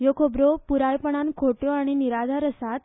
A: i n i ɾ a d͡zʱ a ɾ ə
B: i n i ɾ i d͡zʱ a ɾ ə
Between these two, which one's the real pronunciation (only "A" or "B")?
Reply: A